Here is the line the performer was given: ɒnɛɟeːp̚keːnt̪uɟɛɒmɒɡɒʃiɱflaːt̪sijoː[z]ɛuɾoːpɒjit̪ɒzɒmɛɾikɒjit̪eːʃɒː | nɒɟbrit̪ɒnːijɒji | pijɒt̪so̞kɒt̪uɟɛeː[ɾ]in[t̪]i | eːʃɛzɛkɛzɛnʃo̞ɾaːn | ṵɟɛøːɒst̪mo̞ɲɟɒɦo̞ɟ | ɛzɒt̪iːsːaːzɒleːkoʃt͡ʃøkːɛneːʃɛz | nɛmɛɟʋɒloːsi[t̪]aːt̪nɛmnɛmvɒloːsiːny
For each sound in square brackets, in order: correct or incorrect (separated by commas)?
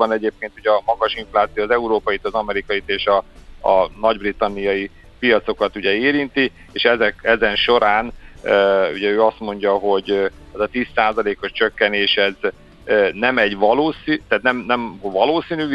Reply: correct, correct, correct, correct